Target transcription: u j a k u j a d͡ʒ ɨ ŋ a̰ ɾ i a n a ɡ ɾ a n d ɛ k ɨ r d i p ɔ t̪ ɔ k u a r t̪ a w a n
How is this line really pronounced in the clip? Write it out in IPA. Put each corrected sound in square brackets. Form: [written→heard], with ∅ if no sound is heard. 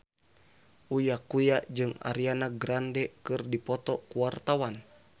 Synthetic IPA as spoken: u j a k u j a d͡ʒ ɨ ŋ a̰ ɾ i a n a ɡ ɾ a n d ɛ k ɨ r d i p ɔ t̪ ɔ k u a r t̪ a w a n